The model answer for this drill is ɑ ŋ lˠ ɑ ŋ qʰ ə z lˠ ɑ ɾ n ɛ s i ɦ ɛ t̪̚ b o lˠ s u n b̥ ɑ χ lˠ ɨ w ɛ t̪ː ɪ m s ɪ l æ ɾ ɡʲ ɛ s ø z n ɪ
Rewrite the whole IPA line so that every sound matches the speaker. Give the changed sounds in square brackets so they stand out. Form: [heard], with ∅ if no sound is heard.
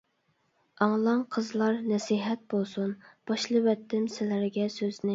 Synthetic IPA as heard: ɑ ŋ lˠ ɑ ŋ qʰ ə z lˠ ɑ ɾ n ɛ s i ɦ ɛ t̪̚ b o lˠ s u n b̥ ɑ [ʃ] lˠ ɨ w ɛ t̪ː ɪ m s ɪ l æ ɾ ɡʲ ɛ s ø z n ɪ